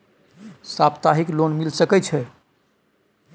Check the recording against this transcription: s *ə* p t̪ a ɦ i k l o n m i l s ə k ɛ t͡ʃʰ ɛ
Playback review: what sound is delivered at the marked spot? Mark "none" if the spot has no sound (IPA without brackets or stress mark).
a